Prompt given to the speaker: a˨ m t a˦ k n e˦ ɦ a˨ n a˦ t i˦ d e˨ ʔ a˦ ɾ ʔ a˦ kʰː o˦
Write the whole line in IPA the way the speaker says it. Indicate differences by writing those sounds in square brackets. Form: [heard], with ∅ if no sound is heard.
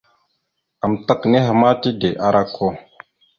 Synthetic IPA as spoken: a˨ m t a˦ k n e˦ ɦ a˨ [m] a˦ t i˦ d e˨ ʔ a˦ ɾ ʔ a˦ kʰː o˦